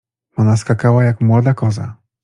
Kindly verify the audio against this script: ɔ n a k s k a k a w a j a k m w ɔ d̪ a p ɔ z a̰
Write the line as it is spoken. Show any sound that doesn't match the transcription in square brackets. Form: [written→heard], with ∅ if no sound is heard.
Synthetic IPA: ɔ n a [k→∅] s k a k a w a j a k m w ɔ d̪ a [p→k] ɔ z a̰